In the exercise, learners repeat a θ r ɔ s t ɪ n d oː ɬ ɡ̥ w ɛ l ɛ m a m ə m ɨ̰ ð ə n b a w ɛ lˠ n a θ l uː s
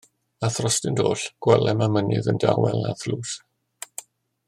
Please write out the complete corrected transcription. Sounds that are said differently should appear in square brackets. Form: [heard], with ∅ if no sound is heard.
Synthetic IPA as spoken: a θ r ɔ s t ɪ n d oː ɬ ɡ̥ w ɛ l ɛ m a m ə [n] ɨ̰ ð ə n [d] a w ɛ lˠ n a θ l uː s